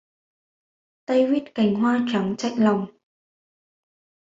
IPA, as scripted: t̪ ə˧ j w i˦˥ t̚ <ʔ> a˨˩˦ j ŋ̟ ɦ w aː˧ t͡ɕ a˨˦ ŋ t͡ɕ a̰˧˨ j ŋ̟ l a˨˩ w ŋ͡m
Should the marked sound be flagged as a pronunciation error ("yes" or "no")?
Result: yes